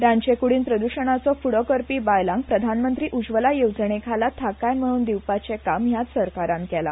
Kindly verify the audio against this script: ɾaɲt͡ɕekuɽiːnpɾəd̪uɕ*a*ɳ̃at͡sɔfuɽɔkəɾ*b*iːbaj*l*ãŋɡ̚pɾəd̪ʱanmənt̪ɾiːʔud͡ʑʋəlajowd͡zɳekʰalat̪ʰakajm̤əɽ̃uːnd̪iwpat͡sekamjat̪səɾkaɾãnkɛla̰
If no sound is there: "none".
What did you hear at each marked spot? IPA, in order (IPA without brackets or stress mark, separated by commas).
ə, p, l